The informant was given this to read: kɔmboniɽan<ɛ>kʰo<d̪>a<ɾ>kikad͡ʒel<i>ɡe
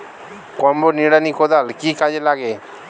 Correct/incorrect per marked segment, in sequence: incorrect: i, correct, incorrect: l, incorrect: a

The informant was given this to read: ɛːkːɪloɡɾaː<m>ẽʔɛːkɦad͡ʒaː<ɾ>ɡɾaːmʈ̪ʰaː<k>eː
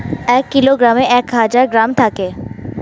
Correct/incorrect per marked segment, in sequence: correct, correct, correct

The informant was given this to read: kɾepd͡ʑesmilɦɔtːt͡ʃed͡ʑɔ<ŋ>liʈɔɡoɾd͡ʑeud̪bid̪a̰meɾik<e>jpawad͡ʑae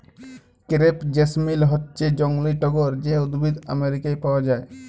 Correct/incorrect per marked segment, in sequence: correct, incorrect: a

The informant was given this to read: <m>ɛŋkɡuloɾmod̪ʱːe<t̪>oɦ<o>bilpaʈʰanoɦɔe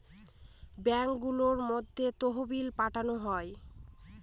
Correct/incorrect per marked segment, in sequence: incorrect: b, correct, correct

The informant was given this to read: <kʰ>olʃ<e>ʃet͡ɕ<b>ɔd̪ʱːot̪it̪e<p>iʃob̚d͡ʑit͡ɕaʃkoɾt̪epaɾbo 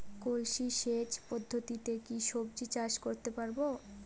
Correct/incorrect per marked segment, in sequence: incorrect: k, incorrect: i, incorrect: p, incorrect: k

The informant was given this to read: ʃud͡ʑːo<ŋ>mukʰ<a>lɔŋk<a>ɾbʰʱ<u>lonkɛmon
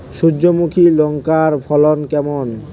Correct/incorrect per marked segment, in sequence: incorrect: none, incorrect: i, correct, incorrect: ɔ

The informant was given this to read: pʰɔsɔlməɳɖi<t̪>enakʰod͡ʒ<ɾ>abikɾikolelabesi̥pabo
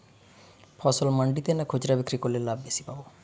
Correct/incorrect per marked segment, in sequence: correct, correct

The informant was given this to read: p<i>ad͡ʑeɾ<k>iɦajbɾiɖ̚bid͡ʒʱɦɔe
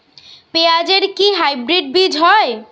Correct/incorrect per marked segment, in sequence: incorrect: e, correct

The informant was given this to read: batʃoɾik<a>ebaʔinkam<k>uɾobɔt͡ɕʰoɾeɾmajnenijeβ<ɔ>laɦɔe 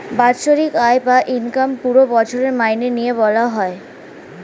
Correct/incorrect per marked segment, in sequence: correct, incorrect: p, correct

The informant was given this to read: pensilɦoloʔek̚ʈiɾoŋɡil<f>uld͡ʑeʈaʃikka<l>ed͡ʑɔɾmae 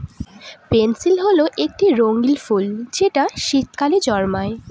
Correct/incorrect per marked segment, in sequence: correct, correct

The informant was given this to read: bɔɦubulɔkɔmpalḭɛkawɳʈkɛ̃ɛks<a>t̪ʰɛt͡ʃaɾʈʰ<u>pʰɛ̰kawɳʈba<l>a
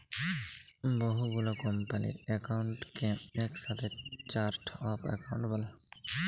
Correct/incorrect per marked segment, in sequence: correct, incorrect: ɔ, correct

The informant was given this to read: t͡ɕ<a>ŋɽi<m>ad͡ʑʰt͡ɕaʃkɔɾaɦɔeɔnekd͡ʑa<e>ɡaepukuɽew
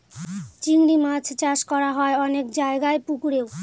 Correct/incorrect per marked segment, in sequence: incorrect: i, correct, correct

